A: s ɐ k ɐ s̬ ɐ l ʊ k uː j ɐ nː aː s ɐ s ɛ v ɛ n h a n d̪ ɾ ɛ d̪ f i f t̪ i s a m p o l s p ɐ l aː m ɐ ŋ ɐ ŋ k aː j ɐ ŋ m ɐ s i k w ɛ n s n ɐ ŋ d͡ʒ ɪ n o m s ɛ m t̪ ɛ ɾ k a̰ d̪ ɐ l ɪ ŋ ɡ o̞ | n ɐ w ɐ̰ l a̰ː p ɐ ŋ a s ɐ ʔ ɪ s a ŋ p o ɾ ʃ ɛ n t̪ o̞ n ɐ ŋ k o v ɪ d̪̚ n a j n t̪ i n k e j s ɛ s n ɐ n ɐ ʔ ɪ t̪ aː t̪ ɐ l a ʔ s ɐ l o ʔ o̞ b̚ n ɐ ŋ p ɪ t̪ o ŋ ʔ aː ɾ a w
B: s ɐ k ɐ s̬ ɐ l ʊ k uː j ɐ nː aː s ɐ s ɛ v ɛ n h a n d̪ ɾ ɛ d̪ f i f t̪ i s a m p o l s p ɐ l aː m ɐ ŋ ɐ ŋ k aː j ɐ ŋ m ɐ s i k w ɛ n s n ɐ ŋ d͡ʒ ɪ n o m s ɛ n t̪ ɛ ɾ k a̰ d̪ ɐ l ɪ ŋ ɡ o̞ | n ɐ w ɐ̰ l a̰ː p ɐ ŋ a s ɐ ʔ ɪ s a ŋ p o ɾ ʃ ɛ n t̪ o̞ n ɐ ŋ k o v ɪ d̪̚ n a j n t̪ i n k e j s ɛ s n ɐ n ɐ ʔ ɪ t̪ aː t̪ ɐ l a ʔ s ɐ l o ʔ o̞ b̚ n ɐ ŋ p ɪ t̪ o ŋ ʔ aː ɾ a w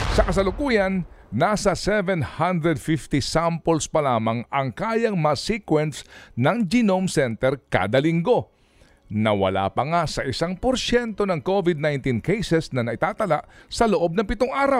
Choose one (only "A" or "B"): B